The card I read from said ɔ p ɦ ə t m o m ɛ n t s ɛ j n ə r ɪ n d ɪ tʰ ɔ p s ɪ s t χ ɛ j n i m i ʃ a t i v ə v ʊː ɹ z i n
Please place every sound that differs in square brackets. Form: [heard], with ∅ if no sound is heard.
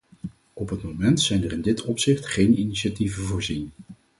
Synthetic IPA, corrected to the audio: ɔ p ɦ ə t m o m ɛ n t s ɛ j n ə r ɪ n d ɪ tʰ ɔ p s ɪ [χ] t χ [e] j n i [n] i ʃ a t i v ə v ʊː ɹ z i n